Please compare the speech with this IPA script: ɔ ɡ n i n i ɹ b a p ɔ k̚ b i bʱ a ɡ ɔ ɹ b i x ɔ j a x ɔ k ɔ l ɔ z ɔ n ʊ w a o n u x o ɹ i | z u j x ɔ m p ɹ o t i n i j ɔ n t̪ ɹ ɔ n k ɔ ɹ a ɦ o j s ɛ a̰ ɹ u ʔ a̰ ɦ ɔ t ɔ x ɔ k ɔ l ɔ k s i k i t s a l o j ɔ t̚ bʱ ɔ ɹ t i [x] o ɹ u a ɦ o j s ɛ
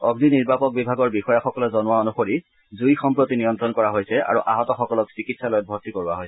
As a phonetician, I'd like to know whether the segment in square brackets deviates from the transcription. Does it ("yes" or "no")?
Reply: yes